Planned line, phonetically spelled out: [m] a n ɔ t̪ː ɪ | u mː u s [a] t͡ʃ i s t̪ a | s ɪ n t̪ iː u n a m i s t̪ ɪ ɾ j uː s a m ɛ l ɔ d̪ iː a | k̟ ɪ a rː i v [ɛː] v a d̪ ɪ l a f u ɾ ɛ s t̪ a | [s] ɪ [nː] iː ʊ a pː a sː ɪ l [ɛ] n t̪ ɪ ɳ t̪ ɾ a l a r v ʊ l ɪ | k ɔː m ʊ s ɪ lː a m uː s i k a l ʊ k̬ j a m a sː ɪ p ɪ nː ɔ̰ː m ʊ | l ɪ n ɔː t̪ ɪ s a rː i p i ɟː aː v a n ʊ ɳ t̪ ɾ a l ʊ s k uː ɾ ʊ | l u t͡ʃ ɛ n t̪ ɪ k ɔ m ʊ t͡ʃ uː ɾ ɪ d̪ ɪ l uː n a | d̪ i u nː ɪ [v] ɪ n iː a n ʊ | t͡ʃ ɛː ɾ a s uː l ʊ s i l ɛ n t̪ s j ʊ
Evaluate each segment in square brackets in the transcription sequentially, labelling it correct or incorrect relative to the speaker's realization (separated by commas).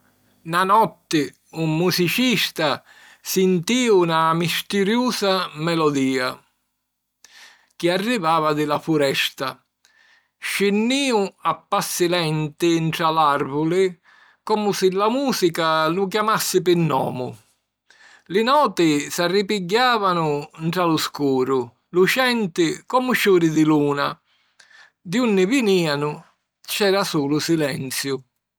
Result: incorrect, incorrect, incorrect, incorrect, correct, correct, correct